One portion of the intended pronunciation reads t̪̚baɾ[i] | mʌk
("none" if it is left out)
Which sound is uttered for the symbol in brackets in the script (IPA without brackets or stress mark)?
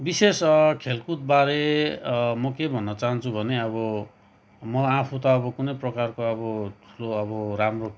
e